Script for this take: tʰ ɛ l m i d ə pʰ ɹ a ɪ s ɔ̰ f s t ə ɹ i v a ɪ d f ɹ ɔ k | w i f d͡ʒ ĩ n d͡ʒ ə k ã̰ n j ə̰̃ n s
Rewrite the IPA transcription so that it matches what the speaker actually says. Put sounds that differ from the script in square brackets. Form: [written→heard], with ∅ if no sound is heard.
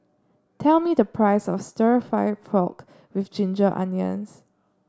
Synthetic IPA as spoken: tʰ ɛ l m i d ə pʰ ɹ a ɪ s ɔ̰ f s t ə ɹ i [v→f] a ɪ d f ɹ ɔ k | w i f d͡ʒ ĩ n d͡ʒ ə [k→ʔ] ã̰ n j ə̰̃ n s